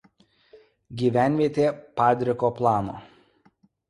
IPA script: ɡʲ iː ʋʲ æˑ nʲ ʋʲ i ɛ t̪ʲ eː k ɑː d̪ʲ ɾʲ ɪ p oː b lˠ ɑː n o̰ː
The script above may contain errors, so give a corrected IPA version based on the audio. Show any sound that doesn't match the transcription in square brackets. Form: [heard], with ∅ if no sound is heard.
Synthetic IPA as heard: ɡʲ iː ʋʲ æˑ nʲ ʋʲ i ɛ t̪ʲ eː [p] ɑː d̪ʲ ɾʲ ɪ [k] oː [p] lˠ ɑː n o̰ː